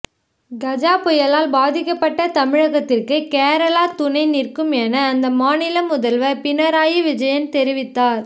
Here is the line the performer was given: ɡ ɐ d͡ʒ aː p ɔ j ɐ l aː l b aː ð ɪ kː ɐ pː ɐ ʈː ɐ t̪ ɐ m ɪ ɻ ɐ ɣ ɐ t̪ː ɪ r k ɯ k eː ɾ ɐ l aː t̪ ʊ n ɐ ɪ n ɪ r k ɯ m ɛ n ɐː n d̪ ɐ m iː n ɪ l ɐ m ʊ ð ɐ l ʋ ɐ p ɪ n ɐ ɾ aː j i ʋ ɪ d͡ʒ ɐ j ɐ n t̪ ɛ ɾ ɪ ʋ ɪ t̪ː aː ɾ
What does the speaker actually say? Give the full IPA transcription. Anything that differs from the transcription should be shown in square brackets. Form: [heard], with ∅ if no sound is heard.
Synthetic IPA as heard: ɡ ɐ d͡ʒ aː p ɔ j ɐ l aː l b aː ð ɪ kː ɐ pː ɐ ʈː ɐ t̪ ɐ m ɪ ɻ ɐ ɣ ɐ t̪ː ɪ r k ɯ k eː ɾ ɐ l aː t̪ ʊ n ɐ ɪ n ɪ r k ɯ m ɛ n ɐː n d̪ ɐ m [aː] n ɪ l ɐ m ʊ ð ɐ l ʋ ɐ p ɪ n ɐ ɾ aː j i ʋ ɪ d͡ʒ ɐ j ɐ n t̪ ɛ ɾ ɪ ʋ ɪ t̪ː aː ɾ